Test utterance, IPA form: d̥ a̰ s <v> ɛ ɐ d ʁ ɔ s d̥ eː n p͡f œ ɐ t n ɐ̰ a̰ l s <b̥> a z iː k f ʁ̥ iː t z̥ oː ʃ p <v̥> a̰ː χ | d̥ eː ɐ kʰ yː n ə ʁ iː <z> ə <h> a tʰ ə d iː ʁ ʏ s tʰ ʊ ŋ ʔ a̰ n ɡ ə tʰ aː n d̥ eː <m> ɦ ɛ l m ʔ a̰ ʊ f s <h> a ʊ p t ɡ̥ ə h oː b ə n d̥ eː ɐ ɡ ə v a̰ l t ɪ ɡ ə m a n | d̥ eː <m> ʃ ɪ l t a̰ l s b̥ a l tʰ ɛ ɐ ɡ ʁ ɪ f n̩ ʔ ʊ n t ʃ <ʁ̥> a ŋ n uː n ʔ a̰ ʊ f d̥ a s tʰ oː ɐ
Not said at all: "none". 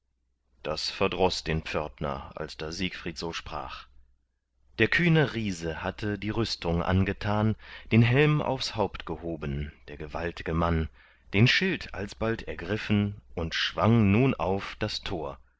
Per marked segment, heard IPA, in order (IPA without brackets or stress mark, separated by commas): f, d̥, ʁ̥, z, h, n, h, n, v̥